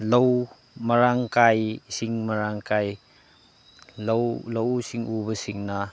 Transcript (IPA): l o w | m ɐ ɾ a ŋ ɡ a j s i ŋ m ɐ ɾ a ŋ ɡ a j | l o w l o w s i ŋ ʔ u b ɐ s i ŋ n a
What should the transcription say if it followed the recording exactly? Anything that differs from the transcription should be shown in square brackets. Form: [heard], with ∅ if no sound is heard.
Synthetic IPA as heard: l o w | m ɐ ɾ a ŋ [k] a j s i ŋ m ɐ ɾ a ŋ [k] a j | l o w l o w s i ŋ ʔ u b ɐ s i ŋ n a